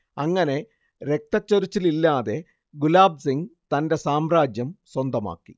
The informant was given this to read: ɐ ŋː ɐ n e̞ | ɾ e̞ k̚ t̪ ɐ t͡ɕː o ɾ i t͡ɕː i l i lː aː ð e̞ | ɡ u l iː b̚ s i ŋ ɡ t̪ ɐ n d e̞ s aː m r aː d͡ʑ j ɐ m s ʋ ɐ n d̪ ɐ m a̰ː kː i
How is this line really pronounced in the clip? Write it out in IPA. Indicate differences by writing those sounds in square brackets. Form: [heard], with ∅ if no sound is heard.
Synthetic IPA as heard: ɐ ŋː ɐ n e̞ | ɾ e̞ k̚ t̪ ɐ t͡ɕː o ɾ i t͡ɕː i l i lː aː ð e̞ | ɡ u l [aː] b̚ s i ŋ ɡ t̪ ɐ n d e̞ s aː m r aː d͡ʑ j ɐ m s [w] ɐ n d̪ ɐ m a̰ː kː i